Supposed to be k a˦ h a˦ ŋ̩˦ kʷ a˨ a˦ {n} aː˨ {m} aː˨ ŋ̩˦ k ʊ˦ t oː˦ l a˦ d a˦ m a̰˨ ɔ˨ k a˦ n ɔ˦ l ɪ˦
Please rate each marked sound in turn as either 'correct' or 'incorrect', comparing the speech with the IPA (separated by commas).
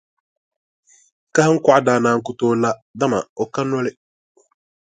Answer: incorrect, incorrect